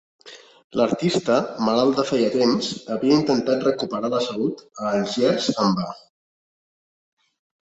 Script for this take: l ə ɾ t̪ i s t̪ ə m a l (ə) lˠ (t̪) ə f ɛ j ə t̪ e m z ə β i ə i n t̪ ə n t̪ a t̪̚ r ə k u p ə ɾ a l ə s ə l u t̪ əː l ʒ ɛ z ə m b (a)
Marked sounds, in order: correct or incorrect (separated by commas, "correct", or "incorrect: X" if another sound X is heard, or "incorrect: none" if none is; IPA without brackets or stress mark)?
incorrect: a, incorrect: d̪, correct